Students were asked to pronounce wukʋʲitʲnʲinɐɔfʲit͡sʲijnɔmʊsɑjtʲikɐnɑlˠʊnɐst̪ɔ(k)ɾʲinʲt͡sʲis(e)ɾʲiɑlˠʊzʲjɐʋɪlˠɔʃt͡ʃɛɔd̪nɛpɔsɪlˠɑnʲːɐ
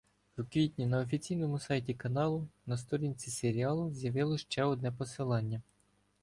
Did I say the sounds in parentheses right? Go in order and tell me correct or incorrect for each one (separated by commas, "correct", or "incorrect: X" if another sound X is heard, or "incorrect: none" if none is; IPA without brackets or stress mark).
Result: incorrect: none, correct